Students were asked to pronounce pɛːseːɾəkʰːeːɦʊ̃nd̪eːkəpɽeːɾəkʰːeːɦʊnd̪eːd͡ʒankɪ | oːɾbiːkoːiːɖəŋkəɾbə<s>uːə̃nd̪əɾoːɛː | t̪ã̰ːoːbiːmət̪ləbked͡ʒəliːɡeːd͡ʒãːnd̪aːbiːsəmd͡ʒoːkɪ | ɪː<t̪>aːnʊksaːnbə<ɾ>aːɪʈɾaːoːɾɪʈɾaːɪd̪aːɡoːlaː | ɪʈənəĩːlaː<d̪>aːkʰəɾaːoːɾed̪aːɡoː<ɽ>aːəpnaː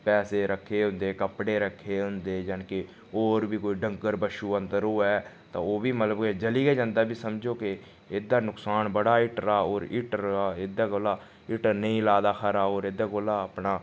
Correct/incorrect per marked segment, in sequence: incorrect: ʃ, incorrect: d̪, incorrect: ɽ, correct, incorrect: l

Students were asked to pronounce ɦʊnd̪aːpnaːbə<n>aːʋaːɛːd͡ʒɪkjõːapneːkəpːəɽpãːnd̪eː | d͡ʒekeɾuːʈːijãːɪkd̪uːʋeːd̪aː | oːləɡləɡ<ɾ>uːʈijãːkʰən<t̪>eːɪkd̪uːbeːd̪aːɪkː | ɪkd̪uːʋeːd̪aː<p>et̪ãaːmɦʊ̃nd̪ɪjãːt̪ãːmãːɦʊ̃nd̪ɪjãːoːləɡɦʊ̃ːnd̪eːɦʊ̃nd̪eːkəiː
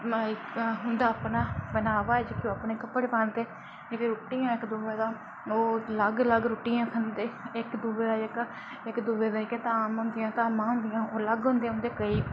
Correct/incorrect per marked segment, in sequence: correct, correct, incorrect: d̪, incorrect: k

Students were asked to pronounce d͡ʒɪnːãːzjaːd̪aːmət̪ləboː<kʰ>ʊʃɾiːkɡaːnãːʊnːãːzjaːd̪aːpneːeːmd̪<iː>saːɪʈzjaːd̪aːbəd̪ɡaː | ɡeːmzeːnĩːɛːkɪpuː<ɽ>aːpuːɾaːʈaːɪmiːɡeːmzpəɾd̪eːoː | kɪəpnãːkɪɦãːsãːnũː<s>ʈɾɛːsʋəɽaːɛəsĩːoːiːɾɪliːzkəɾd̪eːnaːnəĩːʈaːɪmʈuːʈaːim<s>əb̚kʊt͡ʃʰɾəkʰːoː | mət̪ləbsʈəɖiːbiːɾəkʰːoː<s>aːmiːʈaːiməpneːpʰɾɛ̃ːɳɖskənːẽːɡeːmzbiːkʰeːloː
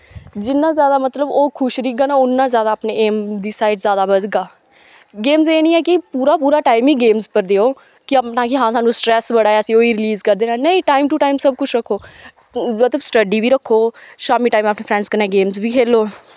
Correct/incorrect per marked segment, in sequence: correct, correct, incorrect: ɾ, correct, correct, incorrect: ʃ

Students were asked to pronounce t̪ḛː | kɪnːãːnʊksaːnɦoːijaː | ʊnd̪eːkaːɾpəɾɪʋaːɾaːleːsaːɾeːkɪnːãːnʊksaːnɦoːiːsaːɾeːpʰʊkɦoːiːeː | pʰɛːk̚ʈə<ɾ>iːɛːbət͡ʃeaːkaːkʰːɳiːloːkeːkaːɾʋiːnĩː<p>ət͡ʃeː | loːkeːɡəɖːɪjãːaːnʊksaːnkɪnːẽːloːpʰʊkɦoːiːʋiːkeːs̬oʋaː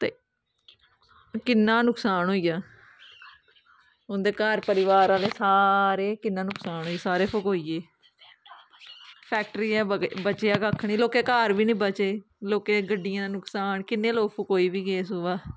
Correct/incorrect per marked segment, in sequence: correct, incorrect: b

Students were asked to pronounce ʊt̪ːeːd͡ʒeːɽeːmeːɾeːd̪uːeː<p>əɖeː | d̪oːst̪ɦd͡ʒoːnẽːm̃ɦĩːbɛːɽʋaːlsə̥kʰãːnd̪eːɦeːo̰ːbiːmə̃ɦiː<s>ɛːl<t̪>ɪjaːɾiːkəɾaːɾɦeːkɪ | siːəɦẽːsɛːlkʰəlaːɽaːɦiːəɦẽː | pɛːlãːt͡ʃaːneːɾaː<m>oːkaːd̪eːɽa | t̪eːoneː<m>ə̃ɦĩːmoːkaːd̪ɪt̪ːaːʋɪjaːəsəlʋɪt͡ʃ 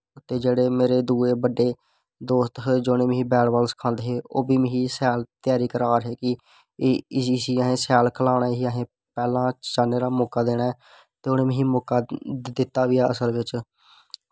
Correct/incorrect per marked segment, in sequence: incorrect: b, correct, correct, correct, correct

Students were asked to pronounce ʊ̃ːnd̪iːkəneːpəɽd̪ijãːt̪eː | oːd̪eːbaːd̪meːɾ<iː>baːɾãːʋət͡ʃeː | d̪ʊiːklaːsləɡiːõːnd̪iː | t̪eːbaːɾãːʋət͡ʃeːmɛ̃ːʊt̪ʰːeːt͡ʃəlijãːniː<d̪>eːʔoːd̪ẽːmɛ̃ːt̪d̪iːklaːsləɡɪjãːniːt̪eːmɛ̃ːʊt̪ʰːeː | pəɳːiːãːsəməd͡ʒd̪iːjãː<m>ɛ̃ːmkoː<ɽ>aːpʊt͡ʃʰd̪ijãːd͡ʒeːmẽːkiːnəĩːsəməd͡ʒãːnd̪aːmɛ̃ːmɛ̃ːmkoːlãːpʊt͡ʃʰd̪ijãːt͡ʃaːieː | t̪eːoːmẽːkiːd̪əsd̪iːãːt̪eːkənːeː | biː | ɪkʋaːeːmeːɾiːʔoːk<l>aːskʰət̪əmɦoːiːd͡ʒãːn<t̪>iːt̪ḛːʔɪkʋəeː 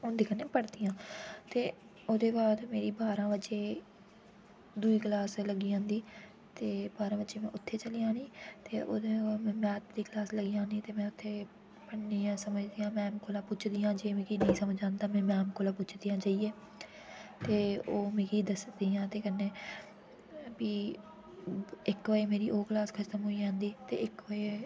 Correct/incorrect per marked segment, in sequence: correct, incorrect: t̪, correct, incorrect: l, correct, incorrect: d̪

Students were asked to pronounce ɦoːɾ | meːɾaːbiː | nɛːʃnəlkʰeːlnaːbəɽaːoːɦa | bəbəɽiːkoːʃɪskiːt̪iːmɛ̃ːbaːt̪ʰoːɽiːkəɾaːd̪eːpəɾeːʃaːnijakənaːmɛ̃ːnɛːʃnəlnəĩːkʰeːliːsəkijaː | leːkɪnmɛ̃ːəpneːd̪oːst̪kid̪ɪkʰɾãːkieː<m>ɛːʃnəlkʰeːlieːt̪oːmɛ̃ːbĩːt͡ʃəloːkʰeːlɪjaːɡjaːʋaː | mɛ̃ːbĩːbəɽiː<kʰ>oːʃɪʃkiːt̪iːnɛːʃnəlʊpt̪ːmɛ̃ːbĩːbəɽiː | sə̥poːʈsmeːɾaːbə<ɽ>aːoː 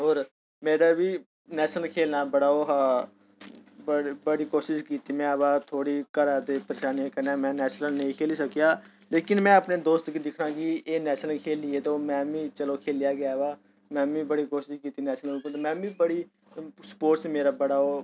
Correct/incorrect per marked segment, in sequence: incorrect: n, incorrect: k, correct

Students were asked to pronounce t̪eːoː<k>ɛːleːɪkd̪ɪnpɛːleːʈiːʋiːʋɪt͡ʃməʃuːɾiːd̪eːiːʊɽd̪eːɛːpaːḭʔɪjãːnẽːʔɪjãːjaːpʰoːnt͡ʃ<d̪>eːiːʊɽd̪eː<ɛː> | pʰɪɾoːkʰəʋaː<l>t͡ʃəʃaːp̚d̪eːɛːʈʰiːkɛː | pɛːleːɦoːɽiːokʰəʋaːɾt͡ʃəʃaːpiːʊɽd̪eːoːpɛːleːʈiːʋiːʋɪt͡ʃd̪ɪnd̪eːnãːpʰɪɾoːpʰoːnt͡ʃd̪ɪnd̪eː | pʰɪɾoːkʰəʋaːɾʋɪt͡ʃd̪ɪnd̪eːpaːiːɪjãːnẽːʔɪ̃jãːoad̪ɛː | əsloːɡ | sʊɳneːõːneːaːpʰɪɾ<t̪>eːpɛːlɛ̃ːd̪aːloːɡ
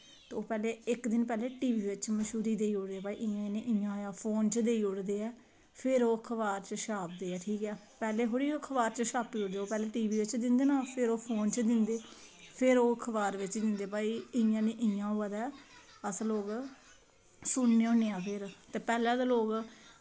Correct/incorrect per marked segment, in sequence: incorrect: p, correct, correct, incorrect: ɾ, correct

